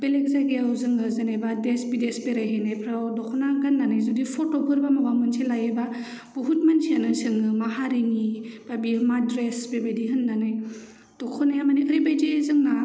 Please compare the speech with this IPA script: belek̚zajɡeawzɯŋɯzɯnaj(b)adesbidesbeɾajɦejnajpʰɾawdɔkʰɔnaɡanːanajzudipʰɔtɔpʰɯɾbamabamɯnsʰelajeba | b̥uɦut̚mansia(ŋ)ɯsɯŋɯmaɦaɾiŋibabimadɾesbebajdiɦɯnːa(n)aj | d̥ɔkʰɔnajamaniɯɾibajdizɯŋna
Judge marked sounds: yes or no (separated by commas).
yes, no, yes